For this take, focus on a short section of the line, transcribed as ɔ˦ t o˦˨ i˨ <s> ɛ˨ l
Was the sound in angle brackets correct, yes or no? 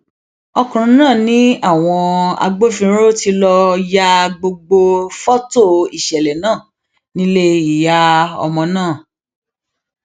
no